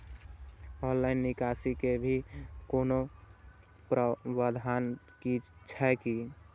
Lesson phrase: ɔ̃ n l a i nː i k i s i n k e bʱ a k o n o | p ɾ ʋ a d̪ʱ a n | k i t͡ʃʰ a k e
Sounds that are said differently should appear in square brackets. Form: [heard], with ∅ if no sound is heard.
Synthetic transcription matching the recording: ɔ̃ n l a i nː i k [a] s i [∅] k e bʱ [i] k o n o | p ɾ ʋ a d̪ʱ a n | k i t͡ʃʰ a k [i]

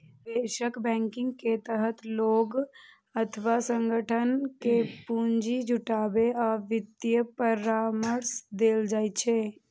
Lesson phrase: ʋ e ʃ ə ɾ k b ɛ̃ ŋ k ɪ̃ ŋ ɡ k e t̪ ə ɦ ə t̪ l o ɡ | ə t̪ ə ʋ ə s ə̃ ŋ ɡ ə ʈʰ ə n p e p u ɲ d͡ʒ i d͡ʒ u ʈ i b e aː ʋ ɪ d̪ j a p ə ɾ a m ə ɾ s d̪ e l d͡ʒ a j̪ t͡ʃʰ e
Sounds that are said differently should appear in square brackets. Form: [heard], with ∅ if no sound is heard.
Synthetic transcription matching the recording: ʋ e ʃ ə [∅] k b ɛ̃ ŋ k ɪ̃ ŋ ɡ k e t̪ ə ɦ ə t̪ l o ɡ | ə [t̪ʰ] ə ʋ [a] s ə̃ ŋ ɡ ə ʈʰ ə n [k] e p u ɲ d͡ʒ i d͡ʒ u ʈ [a] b e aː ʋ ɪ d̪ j [ə] p ə ɾ a m ə ɾ s d̪ e l d͡ʒ a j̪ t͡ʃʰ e

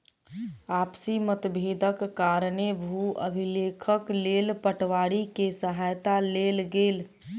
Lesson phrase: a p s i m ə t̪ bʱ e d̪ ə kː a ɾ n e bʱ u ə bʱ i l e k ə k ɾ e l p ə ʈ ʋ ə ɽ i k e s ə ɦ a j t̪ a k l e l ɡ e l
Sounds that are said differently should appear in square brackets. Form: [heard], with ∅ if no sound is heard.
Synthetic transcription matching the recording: a p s i m ə t̪ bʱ e d̪ ə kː a ɾ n e bʱ u ə bʱ i l e [kʰ] ə k [l] e l p ə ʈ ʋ [a] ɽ i k e s ə ɦ a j t̪ a [∅] l e l ɡ e l

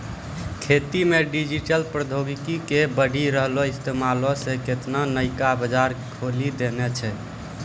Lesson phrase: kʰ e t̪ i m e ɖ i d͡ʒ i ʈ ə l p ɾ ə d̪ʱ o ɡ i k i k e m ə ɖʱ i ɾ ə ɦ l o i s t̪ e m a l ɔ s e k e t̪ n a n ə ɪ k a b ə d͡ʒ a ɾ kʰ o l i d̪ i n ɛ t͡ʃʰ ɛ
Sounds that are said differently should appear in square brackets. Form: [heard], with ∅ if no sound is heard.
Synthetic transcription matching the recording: kʰ e t̪ i m e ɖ i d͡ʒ i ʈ ə l p ɾ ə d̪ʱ o ɡ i k i k e [b] ə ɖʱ i ɾ ə ɦ l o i s t̪ e m a l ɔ s e k e t̪ n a n ə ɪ k a b ə d͡ʒ a ɾ kʰ o l i d̪ [e] n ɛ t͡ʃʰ ɛ

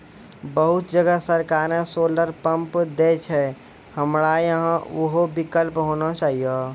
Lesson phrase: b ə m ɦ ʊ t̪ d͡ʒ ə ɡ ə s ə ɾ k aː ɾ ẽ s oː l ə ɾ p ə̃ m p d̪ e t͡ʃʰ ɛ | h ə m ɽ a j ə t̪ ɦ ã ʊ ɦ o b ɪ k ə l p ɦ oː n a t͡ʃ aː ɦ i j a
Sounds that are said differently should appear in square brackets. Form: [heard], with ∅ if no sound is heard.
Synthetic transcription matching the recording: b ə [∅] ɦ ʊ t̪ d͡ʒ ə ɡ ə s ə ɾ k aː ɾ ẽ s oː l ə ɾ p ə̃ m p d̪ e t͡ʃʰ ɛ | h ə m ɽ a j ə [∅] ɦ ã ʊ ɦ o b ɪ k ə l p ɦ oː n a t͡ʃ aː ɦ i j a

